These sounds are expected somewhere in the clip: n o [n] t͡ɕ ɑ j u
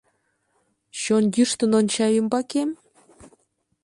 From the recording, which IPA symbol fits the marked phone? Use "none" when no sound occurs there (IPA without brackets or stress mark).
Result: n